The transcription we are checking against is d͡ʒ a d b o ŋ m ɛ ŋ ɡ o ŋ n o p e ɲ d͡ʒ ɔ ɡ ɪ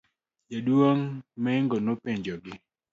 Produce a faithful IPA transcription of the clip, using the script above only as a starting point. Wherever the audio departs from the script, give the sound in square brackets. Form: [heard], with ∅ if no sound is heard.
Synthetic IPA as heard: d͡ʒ a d [w] o ŋ m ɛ ŋ ɡ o [∅] n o p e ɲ d͡ʒ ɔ ɡ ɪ